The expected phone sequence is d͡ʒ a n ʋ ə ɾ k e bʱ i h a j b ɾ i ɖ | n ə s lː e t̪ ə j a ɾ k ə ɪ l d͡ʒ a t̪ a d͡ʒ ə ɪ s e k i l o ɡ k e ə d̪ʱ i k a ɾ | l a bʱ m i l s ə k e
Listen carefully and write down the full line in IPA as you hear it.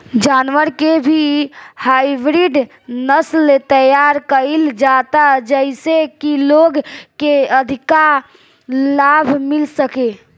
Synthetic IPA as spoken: d͡ʒ a n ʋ ə ɾ k e bʱ i h a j b ɾ i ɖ | n ə s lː e t̪ ə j a ɾ k ə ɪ l d͡ʒ a t̪ a d͡ʒ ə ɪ s e k i l o ɡ k e ə d̪ʱ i k a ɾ | l a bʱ m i l s ə k e